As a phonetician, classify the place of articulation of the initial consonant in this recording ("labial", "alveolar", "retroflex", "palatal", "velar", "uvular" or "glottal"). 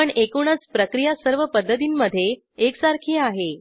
retroflex